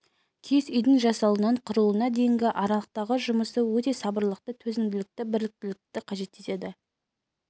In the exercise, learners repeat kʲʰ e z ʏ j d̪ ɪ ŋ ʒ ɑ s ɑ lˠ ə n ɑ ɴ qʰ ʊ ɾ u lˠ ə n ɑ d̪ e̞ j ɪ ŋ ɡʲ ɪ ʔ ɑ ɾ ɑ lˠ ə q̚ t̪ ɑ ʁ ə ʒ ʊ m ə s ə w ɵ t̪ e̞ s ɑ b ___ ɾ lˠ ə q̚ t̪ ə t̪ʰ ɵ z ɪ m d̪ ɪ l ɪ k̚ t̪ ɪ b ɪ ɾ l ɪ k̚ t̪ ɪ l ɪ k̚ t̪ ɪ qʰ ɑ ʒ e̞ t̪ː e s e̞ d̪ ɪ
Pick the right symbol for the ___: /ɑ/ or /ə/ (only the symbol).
ə